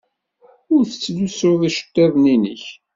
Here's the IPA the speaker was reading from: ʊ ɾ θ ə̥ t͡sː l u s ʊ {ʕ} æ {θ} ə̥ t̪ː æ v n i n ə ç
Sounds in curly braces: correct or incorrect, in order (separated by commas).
incorrect, incorrect